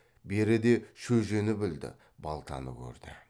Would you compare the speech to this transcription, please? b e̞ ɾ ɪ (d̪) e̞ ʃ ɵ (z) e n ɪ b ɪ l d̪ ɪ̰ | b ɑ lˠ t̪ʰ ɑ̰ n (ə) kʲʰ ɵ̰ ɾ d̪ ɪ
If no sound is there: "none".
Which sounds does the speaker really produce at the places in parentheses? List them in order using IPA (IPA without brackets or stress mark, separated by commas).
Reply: d̪, ʒ, ə